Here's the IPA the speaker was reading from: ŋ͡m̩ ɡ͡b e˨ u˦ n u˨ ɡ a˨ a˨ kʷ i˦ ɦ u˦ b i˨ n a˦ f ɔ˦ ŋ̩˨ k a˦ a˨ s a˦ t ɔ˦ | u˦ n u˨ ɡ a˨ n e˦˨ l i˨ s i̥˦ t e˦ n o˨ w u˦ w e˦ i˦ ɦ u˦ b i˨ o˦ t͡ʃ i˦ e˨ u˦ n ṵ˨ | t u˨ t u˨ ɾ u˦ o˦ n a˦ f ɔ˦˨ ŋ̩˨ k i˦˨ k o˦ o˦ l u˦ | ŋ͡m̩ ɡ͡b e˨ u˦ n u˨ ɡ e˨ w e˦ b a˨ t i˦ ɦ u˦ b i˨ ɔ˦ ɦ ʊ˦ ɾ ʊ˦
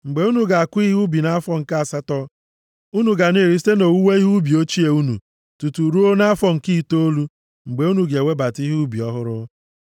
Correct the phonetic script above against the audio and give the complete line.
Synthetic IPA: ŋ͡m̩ ɡ͡b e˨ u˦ n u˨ ɡ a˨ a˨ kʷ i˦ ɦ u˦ b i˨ n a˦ f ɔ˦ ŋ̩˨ k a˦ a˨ s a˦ t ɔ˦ | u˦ n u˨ ɡ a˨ n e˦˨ ɾ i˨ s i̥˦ t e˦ n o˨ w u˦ w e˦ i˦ ɦ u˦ b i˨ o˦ t͡ʃ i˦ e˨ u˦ n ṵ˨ | t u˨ t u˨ ɾ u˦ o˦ n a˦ f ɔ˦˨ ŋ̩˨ k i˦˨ t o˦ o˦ l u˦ | ŋ͡m̩ ɡ͡b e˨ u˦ n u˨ ɡ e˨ w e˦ b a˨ t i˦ ɦ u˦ b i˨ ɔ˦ ɦ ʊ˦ ɾ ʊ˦

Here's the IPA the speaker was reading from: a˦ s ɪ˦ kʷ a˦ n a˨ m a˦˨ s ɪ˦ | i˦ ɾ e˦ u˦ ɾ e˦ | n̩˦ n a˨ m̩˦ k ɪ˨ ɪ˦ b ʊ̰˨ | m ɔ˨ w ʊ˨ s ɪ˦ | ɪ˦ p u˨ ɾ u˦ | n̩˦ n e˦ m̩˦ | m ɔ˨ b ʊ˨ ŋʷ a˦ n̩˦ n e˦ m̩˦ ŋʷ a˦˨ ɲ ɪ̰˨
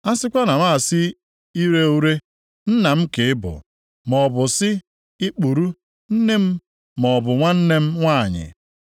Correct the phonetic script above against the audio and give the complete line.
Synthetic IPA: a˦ s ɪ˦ kʷ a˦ n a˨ m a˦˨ s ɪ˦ | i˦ ɾ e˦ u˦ ɾ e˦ | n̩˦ n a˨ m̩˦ k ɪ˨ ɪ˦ b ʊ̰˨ | m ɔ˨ b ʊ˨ s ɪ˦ | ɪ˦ k͡p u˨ ɾ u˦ | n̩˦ n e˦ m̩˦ | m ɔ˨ b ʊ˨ ŋʷ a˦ n̩˦ n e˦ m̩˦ ŋʷ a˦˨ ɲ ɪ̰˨

